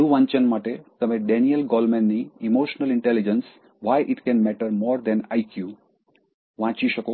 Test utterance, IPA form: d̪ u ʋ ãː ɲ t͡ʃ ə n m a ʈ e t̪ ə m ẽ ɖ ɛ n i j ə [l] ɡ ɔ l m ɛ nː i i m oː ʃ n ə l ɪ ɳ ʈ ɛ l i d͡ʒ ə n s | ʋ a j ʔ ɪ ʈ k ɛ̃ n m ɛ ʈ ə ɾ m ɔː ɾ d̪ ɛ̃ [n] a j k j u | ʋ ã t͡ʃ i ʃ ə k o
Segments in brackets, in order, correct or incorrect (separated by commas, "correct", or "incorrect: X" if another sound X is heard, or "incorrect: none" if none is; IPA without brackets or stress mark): correct, correct